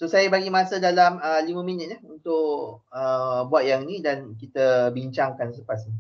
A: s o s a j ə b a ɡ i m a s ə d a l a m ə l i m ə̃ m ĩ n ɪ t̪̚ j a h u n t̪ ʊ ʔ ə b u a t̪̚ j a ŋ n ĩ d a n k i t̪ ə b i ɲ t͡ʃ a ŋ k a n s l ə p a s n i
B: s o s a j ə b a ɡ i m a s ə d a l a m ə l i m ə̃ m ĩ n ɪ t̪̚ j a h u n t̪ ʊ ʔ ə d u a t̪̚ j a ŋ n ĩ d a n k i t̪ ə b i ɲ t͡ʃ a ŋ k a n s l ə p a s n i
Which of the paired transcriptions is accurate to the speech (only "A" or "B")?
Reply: A